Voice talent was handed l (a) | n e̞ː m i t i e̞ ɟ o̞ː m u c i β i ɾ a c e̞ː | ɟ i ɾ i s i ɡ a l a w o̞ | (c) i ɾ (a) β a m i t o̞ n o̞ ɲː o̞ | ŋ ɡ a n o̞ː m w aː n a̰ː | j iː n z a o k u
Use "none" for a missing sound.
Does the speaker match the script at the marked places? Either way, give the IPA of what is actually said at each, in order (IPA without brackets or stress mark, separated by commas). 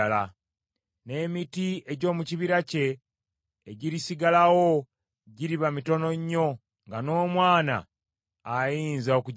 a, ɟ, i